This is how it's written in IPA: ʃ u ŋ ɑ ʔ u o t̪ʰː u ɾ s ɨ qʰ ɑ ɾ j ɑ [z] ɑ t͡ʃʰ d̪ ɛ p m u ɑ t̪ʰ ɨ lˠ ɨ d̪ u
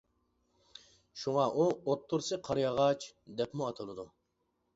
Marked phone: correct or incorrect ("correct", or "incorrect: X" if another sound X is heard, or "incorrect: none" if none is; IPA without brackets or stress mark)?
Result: incorrect: ʁ